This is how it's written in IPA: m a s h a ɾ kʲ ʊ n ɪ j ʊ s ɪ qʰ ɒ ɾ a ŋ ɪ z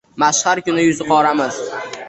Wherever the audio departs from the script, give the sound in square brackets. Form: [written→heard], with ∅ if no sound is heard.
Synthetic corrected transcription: m a [s→ʃ] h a ɾ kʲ ʊ n ɪ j ʊ [s→z] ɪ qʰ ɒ ɾ a [ŋ→m] ɪ z